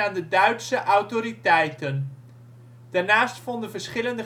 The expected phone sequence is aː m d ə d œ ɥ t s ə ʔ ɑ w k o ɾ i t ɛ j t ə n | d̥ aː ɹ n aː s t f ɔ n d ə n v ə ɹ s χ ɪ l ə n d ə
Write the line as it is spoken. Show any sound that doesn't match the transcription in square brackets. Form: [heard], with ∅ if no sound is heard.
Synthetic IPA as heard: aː [n] d ə d œ ɥ t s ə ʔ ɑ w [t] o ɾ i t ɛ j t ə n | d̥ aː ɹ n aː s t f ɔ n d ə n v ə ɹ s χ ɪ l ə n d ə